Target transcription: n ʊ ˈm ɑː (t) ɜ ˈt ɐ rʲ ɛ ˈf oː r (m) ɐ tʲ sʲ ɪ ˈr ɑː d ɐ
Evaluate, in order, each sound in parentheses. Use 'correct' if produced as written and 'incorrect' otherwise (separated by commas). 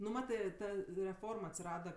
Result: correct, correct